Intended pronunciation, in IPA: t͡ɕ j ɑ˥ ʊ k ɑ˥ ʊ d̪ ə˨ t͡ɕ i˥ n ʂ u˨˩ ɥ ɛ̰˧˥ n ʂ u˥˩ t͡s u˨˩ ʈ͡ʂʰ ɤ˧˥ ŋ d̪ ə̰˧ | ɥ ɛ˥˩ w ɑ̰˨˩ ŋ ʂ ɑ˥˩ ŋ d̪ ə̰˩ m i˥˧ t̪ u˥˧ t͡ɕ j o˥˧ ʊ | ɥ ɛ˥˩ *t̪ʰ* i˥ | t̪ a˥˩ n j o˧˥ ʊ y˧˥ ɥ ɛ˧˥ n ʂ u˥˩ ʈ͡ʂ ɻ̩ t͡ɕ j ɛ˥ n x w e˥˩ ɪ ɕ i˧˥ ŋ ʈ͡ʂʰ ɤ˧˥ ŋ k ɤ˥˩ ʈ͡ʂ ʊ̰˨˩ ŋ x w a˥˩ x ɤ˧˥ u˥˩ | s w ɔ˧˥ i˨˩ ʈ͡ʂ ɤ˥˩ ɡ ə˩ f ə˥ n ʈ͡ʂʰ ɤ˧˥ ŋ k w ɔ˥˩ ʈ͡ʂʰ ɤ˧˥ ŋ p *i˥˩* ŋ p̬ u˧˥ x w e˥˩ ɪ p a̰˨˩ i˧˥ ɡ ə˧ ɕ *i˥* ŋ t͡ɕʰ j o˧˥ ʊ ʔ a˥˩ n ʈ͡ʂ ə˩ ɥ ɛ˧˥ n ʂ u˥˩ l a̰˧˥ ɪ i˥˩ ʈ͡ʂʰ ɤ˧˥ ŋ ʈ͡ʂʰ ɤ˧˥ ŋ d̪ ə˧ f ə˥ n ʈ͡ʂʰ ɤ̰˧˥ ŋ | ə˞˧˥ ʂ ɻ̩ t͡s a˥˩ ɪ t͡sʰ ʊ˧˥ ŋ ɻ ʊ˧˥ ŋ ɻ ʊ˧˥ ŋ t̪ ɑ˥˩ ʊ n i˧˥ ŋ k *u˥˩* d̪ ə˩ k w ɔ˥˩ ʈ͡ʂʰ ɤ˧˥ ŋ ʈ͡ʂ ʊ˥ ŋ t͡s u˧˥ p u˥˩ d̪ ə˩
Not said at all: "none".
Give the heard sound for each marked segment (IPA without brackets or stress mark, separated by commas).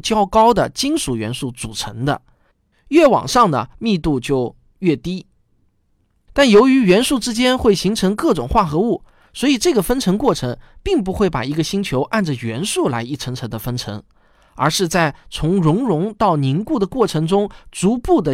t̪, i˥˩, i˥, u˥˩